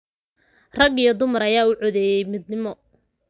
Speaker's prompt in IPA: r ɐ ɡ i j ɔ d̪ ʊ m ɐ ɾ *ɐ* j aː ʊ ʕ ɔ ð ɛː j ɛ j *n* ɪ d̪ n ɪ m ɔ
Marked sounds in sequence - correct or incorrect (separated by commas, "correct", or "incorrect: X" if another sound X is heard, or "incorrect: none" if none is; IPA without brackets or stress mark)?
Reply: correct, incorrect: m